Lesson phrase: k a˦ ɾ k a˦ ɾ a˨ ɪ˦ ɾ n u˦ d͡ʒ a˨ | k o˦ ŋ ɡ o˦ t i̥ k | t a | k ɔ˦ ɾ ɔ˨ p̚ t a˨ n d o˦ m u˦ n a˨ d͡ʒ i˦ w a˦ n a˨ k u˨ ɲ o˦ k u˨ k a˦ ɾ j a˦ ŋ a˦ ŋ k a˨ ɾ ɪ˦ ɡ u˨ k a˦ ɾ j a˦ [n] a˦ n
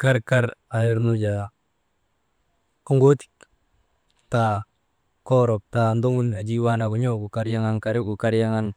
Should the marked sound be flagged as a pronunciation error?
yes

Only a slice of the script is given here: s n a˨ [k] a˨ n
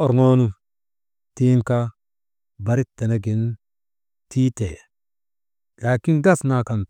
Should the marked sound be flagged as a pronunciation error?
no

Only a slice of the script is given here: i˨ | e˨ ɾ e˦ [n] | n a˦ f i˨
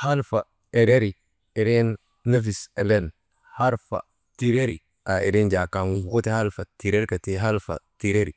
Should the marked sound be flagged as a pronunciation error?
no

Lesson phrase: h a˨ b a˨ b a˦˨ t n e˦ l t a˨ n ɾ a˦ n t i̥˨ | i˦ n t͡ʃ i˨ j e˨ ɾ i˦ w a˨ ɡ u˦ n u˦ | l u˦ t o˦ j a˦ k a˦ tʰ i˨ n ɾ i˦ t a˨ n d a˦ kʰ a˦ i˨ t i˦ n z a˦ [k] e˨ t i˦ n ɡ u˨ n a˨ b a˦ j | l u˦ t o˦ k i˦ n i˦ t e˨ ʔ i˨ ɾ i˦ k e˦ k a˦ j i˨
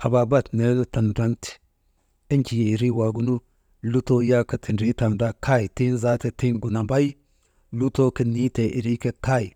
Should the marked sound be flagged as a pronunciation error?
yes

